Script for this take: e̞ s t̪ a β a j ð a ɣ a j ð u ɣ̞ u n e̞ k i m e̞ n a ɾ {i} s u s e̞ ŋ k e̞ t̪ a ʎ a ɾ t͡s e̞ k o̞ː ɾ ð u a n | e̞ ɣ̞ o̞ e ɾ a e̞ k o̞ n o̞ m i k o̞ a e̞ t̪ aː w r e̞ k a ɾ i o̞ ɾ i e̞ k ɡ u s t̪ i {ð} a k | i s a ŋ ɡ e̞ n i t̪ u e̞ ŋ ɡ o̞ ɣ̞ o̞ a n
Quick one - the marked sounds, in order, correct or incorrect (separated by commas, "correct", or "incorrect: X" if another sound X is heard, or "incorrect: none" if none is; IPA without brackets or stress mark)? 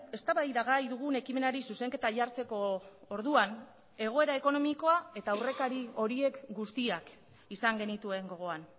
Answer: correct, incorrect: none